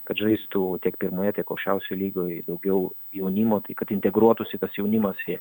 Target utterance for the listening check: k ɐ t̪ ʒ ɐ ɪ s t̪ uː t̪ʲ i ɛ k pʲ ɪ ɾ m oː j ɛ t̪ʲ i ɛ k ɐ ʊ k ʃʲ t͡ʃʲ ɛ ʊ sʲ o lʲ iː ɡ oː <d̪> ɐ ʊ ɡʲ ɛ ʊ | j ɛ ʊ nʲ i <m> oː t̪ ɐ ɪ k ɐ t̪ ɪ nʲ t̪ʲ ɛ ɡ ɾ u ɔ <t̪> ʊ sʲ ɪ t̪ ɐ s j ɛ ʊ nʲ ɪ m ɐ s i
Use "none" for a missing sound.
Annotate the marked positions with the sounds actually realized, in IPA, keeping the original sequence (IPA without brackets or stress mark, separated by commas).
d̪, m, t̪